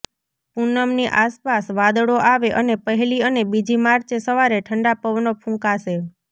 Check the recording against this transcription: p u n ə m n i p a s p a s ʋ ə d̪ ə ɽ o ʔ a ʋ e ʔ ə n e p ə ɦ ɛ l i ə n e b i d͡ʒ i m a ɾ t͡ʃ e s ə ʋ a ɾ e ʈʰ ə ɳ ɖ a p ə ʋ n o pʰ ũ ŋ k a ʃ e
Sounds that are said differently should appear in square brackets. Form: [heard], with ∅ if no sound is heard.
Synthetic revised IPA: p u n ə m n i [ʔ] a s p a s ʋ [a] d̪ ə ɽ o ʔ a ʋ e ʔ ə n e p ə ɦ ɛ l i ə n e b i d͡ʒ i m a ɾ t͡ʃ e s ə ʋ a ɾ e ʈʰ ə ɳ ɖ a p ə ʋ n o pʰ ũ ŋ k a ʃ e